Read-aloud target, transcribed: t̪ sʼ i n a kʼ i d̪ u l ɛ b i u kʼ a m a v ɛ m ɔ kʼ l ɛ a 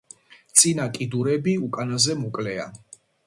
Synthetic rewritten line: t̪ sʼ i n a kʼ i d̪ u ɾ ɛ b i u kʼ a n a z ɛ m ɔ kʼ l ɛ a